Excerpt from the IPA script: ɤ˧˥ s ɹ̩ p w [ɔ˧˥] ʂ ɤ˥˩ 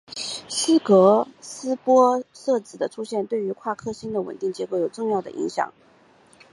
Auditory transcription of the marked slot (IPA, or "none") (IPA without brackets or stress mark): ɔ˥